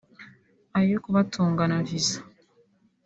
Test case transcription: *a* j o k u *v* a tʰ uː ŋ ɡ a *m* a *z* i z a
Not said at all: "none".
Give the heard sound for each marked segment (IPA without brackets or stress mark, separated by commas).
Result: a, β, n, v